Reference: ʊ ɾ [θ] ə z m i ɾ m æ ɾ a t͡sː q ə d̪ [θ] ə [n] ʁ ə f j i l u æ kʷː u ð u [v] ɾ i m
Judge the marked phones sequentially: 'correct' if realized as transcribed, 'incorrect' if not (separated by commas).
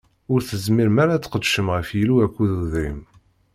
correct, incorrect, incorrect, incorrect